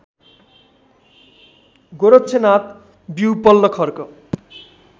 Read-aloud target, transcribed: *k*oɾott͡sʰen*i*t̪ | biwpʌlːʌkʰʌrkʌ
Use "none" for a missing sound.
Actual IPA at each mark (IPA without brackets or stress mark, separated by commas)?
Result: ɡ, a